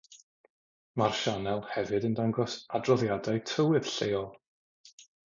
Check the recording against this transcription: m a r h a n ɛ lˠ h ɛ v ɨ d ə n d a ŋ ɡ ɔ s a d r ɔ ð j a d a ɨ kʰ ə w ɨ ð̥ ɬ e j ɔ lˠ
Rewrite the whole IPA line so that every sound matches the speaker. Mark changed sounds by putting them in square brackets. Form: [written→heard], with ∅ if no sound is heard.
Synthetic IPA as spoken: m a r [h→ʃ] a n ɛ lˠ h ɛ v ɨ d ə n d a ŋ ɡ ɔ s a d r ɔ ð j a d a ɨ [kʰ→tʰ] ə w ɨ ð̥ ɬ e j ɔ lˠ